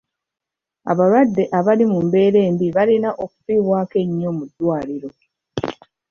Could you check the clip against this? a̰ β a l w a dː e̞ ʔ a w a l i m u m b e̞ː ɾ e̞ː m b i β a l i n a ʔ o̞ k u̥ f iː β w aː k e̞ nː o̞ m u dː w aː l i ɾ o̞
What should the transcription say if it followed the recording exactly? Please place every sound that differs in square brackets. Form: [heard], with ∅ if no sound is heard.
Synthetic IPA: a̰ β a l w a dː e̞ ʔ a [β] a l i m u m b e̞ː ɾ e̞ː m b i β a l i n a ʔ o̞ k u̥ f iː β w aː k e̞ [ɲː] o̞ m u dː w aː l i ɾ o̞